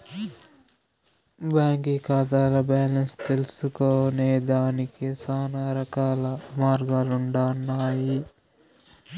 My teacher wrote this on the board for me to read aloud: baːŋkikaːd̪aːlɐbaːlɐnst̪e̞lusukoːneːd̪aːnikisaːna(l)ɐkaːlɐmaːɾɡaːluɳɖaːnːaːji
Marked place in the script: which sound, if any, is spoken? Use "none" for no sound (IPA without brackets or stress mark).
ɾ